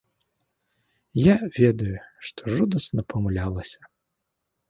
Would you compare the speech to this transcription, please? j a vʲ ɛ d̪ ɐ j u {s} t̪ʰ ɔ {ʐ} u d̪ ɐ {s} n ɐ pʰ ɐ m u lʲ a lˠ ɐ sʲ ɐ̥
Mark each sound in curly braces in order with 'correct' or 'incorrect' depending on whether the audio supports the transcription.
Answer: incorrect: ʂ, correct, correct

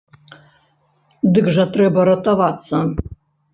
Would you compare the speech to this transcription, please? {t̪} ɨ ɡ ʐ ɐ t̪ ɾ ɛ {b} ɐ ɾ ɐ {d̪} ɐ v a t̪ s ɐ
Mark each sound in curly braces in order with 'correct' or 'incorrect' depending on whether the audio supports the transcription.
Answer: incorrect: d̪, correct, incorrect: t̪

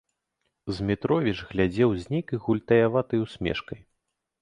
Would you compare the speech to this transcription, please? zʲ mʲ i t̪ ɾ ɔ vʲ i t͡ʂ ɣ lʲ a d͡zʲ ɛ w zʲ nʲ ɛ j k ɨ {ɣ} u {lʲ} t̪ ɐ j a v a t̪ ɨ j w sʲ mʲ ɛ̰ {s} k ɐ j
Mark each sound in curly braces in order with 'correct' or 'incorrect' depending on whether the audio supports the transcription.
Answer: correct, correct, incorrect: ʂ

